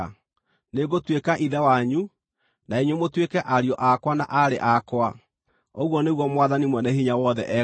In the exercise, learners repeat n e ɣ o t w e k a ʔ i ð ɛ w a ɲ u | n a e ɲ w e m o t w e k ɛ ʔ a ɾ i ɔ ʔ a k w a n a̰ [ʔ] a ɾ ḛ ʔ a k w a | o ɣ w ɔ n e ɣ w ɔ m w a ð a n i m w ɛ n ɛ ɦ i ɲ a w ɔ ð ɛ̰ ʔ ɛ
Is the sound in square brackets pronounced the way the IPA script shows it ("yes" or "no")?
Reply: yes